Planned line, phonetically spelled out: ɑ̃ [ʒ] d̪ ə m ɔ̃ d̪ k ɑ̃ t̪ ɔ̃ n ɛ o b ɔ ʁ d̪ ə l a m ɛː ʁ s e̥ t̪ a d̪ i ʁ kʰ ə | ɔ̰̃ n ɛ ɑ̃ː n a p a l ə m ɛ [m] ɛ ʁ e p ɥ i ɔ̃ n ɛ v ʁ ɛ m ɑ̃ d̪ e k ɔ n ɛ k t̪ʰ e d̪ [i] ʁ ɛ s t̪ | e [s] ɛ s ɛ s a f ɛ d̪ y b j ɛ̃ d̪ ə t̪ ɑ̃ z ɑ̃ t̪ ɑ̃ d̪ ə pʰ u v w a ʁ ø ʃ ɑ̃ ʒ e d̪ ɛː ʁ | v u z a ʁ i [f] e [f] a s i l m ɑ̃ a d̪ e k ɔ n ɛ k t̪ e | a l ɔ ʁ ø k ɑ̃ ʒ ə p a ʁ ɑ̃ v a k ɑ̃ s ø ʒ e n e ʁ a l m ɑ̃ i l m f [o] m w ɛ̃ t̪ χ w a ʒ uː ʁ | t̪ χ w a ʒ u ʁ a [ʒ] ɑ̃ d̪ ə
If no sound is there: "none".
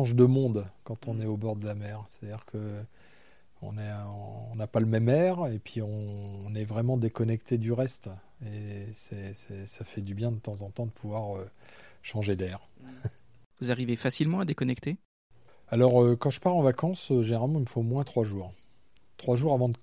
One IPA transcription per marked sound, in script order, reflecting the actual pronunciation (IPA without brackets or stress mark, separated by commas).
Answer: ʒ, m, y, s, v, f, o, v